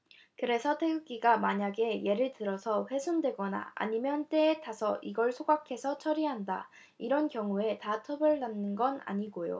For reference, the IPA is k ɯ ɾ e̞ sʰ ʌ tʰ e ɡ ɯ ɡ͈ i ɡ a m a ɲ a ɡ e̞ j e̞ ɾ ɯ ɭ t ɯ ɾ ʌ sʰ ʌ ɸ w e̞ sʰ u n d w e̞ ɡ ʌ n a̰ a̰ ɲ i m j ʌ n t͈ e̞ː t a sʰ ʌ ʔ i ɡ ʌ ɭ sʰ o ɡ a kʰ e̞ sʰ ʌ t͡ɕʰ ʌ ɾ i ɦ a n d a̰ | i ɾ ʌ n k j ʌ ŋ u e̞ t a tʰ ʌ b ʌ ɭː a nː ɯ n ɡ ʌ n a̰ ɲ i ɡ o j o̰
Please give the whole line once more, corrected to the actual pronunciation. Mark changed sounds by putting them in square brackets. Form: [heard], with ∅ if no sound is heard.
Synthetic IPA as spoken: k ɯ ɾ e̞ sʰ ʌ tʰ e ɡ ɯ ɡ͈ i ɡ a m a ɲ a ɡ e̞ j e̞ ɾ ɯ ɭ t ɯ ɾ ʌ sʰ ʌ ɸ w e̞ sʰ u n d w e̞ ɡ ʌ n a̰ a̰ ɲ i m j ʌ n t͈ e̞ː t a sʰ ʌ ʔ i ɡ ʌ ɭ sʰ o ɡ a kʰ e̞ sʰ ʌ t͡ɕʰ ʌ ɾ i ɦ a n d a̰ | i ɾ ʌ n k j ʌ ŋ u e̞ t a tʰ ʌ b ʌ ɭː a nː ɯ n ɡ ʌ n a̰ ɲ i ɡ o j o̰